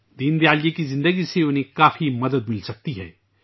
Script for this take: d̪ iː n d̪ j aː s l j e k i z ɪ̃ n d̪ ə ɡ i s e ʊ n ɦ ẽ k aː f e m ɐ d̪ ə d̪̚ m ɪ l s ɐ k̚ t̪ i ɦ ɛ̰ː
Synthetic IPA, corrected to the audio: d̪ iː n d̪ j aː l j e k i z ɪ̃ n d̪ ə ɡ i s e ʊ n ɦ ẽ k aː f i m ɐ d̪ ə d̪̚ m ɪ l s ɐ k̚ t̪ i ɦ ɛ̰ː